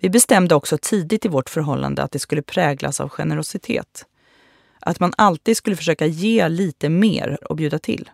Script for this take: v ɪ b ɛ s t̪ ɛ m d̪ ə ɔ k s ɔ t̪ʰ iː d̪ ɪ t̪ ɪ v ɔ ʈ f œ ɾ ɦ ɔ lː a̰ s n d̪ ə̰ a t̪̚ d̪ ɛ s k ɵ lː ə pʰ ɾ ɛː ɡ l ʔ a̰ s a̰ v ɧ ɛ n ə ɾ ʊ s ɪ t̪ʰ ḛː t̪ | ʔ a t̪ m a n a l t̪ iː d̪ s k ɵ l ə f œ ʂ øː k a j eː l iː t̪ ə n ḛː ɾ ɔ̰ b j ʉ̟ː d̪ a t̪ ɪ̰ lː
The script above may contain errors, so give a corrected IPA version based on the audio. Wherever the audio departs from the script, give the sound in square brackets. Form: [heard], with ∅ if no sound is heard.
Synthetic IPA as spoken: v ɪ b ɛ s t̪ ɛ m d̪ ə ɔ k s ɔ t̪ʰ iː d̪ ɪ t̪ ɪ v ɔ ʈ f œ ɾ ɦ ɔ lː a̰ [∅] n d̪ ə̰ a t̪̚ d̪ ɛ s k ɵ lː ə pʰ ɾ ɛː ɡ l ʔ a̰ s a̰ v ɧ ɛ n ə ɾ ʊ s ɪ t̪ʰ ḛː t̪ | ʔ a t̪ m a n a l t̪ iː d̪ s k ɵ l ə f œ ʂ øː k a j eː l iː t̪ ə [m] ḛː ɾ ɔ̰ b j ʉ̟ː d̪ a [t̪ʰ] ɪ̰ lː